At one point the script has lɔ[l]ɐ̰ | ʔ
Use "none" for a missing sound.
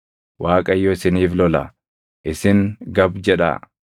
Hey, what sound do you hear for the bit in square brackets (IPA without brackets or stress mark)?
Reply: l